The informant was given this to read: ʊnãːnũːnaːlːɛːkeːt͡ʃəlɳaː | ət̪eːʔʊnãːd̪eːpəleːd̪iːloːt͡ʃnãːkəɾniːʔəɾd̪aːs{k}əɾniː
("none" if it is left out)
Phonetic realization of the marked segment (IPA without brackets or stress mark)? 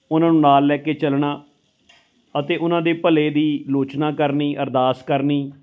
k